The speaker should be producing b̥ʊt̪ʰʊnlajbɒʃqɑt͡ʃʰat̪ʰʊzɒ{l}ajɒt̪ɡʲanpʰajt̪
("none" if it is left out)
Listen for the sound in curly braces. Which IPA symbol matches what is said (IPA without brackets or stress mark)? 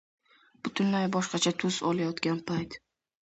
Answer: l